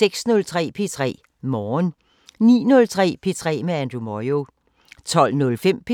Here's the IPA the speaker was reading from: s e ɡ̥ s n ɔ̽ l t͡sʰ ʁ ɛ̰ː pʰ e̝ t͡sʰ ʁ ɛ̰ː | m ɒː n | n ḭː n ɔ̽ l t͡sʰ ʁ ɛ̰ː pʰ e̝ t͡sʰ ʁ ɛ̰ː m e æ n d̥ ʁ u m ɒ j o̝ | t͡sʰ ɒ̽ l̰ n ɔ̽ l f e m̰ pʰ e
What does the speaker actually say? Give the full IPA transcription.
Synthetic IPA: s e ɡ̥ s n ɔ̽ l t͡sʰ ʁ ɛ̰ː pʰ e̝ t͡sʰ ʁ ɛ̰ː | m ɒː n | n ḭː n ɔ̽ l t͡sʰ ʁ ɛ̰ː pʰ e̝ t͡sʰ ʁ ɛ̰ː m e æ n d̥ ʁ u m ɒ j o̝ | t͡sʰ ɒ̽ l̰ n ɔ̽ l f e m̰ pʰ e

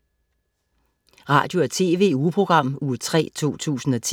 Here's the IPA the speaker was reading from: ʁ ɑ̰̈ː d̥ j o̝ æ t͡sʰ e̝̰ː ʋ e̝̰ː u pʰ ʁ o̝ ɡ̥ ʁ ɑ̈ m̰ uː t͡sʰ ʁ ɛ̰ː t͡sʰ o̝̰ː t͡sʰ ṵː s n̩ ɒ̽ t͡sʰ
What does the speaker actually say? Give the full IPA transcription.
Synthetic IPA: ʁ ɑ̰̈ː d̥ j o̝ æ t͡sʰ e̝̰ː ʋ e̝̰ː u pʰ ʁ o̝ ɡ̥ ʁ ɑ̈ m̰ uː t͡sʰ ʁ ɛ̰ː t͡sʰ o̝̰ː t͡sʰ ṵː s n̩ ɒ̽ t͡sʰ

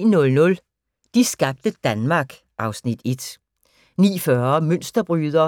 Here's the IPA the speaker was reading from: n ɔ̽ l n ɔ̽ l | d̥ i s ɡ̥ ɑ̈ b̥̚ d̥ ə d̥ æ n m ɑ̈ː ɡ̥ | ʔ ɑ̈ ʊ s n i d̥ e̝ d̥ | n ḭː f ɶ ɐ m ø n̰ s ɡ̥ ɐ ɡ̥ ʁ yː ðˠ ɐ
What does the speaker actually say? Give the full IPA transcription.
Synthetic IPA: n ɔ̽ l n ɔ̽ l | d̥ i s ɡ̥ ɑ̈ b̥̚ d̥ ə d̥ æ n m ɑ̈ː ɡ̥ | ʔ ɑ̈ ʊ s n i d̥ e̝ d̥ | n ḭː f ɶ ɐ m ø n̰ s d̥ ɐ b̥ ʁ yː ðˠ ɐ

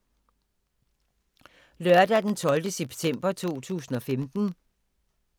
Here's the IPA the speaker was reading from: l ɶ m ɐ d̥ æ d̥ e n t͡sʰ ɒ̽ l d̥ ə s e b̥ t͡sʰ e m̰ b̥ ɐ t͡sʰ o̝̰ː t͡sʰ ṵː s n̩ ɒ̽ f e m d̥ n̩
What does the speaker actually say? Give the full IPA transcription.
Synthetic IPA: l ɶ ɐ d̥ æ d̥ e n t͡sʰ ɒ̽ l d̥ ə s e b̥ t͡sʰ e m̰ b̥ ɐ t͡sʰ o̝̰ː t͡sʰ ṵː s n̩ ɒ̽ f e m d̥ n̩

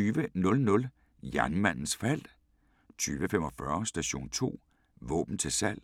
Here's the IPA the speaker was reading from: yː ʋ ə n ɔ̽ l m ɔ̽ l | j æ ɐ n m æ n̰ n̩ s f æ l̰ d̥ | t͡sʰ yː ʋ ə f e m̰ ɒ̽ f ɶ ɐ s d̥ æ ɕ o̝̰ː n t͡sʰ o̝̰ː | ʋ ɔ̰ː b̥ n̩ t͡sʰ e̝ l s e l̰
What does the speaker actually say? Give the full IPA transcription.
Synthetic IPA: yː ʋ ə n ɔ̽ l n ɔ̽ l | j æ ɐ n m æ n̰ n̩ s f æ l̰ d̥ | t͡sʰ yː ʋ ə f e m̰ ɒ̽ f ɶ ɐ s d̥ æ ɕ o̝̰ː n t͡sʰ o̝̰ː | ʋ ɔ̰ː b̥ n̩ t͡sʰ e̝ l s æ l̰

